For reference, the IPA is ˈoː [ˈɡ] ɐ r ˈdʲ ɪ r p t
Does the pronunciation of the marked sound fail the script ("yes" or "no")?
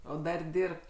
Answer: yes